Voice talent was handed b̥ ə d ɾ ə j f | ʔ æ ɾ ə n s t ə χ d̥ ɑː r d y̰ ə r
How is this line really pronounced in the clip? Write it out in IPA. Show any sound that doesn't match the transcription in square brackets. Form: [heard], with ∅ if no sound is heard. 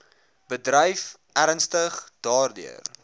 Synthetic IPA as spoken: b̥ ə d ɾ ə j f | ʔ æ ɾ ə n s t ə χ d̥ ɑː r d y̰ ə r